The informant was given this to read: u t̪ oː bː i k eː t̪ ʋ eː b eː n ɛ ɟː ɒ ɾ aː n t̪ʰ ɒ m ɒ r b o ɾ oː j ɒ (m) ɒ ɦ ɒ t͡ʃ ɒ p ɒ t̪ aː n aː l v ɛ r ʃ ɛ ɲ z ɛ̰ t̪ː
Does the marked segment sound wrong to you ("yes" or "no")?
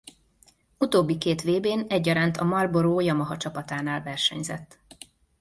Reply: no